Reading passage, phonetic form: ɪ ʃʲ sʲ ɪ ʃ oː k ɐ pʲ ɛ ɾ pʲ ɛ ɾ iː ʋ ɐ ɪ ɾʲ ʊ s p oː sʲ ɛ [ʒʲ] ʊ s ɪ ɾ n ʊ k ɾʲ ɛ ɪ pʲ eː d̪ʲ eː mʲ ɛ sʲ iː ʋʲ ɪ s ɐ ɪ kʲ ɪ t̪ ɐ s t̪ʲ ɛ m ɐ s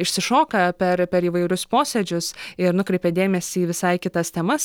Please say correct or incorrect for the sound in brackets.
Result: incorrect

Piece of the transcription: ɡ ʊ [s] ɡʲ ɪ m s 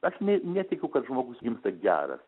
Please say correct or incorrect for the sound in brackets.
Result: correct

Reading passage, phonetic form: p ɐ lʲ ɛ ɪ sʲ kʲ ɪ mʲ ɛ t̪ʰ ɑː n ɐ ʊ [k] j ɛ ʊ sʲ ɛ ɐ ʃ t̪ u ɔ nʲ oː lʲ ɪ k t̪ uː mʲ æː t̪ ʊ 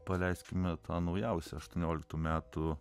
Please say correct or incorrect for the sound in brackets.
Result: incorrect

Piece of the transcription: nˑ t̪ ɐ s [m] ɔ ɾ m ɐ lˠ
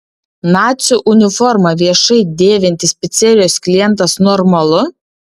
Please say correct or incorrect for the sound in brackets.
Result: incorrect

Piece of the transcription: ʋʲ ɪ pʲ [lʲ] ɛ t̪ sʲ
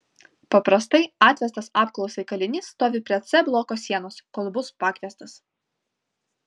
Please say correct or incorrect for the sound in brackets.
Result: incorrect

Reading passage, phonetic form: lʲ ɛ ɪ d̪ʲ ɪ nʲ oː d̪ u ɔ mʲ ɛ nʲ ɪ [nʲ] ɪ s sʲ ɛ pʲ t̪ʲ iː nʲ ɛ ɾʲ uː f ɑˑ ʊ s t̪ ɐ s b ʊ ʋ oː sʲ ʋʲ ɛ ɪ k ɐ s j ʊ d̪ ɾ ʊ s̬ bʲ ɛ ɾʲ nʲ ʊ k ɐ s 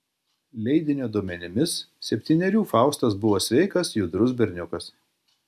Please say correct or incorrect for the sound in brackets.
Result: incorrect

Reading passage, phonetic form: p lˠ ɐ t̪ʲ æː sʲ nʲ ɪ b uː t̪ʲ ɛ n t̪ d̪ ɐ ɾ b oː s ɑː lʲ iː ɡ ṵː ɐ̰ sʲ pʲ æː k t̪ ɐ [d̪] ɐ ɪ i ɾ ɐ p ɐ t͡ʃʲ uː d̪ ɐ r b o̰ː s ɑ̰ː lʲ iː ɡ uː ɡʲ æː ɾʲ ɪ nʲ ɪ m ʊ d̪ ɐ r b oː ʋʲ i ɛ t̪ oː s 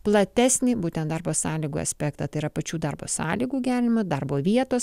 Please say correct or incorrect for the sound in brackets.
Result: incorrect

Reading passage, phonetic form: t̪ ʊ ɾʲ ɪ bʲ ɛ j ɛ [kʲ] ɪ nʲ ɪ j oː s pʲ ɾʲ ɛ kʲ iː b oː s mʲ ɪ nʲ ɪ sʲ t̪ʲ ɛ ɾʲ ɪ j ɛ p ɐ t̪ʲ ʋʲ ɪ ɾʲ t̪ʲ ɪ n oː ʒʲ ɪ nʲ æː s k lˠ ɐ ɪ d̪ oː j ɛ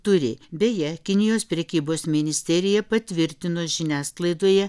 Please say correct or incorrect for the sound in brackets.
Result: correct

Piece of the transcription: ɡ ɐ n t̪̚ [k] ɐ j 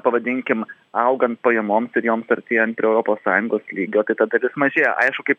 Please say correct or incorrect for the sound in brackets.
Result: incorrect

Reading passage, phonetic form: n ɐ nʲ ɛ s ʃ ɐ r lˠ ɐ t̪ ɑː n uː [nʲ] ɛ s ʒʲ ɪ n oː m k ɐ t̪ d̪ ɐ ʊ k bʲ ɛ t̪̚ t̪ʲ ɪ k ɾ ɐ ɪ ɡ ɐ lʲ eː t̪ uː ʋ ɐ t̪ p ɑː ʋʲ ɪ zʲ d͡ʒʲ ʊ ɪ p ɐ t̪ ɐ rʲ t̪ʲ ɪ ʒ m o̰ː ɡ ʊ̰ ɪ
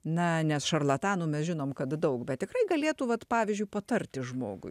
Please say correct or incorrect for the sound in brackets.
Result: incorrect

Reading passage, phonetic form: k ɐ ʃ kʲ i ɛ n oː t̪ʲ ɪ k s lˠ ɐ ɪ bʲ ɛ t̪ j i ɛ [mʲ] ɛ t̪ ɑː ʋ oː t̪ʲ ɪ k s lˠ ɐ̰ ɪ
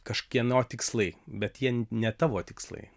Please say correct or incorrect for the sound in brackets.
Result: incorrect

